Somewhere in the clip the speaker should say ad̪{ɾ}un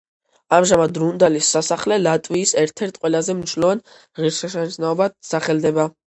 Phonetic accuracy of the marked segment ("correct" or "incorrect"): correct